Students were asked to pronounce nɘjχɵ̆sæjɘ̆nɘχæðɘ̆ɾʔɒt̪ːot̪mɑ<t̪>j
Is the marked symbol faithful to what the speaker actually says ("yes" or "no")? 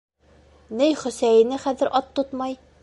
no